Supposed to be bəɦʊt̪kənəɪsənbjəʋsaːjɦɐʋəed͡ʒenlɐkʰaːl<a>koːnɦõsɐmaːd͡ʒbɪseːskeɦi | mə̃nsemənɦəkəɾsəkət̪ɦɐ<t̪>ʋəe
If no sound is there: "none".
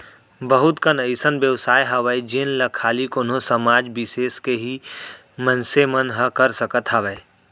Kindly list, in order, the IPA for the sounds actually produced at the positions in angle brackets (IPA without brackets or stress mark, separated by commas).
i, none